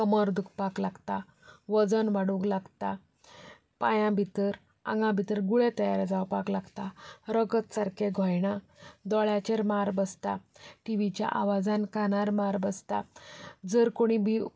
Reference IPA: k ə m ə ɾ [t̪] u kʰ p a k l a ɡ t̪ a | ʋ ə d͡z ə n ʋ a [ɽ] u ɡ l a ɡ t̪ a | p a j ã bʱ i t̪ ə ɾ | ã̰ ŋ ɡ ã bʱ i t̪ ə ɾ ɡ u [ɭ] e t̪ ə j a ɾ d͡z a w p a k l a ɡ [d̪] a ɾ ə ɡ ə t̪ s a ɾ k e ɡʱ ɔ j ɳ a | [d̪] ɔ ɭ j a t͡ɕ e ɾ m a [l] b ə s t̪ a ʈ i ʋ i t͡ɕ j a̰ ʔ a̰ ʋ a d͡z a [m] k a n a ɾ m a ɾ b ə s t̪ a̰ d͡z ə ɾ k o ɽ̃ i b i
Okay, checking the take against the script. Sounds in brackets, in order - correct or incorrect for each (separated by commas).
incorrect, correct, correct, incorrect, correct, incorrect, incorrect